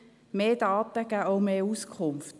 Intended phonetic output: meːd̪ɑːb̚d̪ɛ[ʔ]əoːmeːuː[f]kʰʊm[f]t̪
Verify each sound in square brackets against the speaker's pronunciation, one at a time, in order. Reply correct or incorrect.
incorrect, incorrect, correct

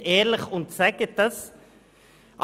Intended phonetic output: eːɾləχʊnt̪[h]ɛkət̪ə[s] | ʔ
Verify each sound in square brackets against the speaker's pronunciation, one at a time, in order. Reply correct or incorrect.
incorrect, correct

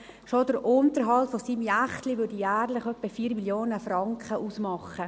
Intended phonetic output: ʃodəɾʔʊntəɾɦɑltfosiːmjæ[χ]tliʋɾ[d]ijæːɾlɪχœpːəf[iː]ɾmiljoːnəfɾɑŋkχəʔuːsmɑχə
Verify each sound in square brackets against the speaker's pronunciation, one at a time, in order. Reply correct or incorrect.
correct, correct, correct

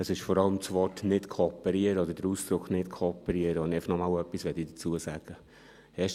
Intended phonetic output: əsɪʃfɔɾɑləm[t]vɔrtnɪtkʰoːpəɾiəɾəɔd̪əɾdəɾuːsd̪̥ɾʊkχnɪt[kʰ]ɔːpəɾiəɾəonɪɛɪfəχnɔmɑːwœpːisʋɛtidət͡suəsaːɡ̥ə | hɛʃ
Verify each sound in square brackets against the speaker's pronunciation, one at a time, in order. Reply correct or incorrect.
incorrect, correct

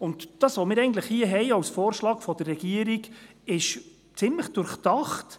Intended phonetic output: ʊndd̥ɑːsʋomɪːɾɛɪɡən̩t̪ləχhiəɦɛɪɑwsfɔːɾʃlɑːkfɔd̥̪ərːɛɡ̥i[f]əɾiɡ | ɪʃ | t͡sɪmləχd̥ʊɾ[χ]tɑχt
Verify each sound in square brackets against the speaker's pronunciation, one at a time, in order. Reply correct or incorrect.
incorrect, correct

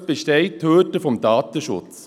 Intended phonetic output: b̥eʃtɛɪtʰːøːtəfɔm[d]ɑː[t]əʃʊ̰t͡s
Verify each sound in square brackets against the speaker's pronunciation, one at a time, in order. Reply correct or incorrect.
correct, correct

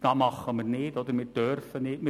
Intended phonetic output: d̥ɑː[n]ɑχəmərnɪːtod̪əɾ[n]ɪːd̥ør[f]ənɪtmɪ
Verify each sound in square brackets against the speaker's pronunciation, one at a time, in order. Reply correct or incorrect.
incorrect, incorrect, correct

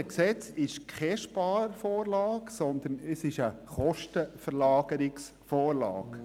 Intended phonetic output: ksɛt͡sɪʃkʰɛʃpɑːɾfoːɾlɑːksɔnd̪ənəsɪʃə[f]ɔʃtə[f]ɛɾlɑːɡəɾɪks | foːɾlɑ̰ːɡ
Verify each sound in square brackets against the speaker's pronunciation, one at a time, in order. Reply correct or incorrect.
incorrect, correct

